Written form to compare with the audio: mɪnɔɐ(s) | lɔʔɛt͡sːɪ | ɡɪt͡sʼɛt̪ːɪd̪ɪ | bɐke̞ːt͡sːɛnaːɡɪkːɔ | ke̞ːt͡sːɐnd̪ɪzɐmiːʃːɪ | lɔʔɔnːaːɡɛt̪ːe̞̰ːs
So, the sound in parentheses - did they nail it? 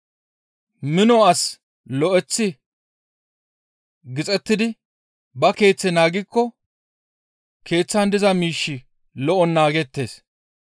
yes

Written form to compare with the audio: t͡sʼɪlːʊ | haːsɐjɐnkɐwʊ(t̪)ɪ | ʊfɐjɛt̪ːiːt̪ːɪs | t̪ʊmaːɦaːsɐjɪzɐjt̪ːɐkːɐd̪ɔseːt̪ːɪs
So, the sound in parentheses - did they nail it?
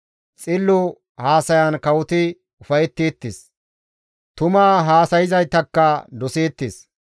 yes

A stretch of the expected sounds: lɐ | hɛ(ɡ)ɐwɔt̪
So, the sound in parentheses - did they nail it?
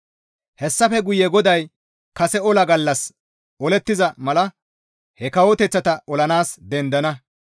no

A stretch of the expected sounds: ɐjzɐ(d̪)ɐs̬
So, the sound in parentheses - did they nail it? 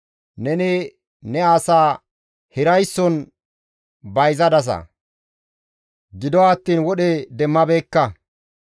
yes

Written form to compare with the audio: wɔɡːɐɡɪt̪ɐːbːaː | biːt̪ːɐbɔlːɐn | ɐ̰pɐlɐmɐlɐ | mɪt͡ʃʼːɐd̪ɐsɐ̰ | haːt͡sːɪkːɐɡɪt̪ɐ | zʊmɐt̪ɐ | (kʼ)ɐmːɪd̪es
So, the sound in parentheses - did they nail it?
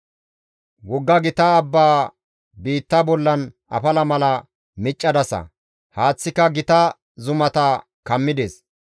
no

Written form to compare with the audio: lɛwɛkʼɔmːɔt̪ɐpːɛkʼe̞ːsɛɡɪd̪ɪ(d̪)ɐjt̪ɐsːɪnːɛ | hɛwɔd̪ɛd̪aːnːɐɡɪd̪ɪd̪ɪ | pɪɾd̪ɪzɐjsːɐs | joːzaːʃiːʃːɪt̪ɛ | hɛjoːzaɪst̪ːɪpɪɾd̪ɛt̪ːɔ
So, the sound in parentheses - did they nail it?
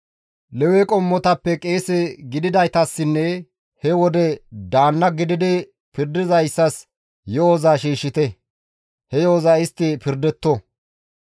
yes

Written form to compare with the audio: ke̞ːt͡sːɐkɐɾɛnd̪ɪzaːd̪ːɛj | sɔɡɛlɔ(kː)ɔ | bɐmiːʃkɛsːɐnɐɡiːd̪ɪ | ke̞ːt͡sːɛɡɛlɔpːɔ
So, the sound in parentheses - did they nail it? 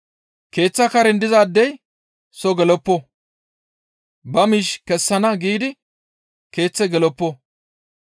no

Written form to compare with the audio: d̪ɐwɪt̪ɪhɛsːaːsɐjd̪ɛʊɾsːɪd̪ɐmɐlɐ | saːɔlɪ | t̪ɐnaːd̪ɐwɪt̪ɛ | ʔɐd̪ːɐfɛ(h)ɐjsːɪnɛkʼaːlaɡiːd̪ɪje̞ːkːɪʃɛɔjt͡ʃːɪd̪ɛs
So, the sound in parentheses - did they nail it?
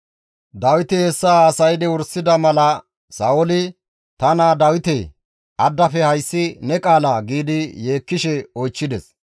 yes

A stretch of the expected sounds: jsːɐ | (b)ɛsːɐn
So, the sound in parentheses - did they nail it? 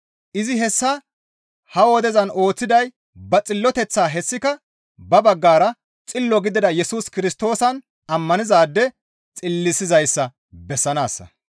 yes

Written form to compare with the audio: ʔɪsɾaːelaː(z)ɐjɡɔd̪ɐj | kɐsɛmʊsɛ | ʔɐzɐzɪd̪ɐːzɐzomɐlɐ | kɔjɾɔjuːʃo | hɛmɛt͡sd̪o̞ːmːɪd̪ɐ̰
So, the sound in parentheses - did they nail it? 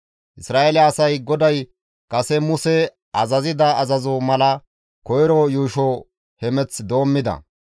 no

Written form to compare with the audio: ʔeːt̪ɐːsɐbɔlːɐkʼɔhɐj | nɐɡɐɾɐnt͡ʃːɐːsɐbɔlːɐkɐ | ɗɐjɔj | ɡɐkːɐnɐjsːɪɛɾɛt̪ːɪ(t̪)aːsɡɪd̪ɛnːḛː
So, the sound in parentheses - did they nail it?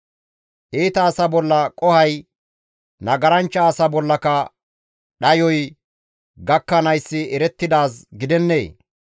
no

